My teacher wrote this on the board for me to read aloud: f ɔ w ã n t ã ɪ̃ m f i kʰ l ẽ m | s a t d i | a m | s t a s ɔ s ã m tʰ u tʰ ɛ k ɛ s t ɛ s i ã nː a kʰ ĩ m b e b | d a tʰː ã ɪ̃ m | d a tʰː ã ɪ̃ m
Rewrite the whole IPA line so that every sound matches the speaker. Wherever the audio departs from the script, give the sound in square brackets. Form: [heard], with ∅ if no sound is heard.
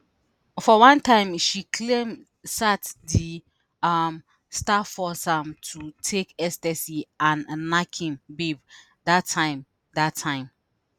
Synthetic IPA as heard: f ɔ w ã n t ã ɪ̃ m [ʃ] i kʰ l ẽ m | s a t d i | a m | s t a [f] ɔ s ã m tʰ u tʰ [e] k ɛ s t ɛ s i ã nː a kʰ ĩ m b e b | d a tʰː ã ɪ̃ m | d a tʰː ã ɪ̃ m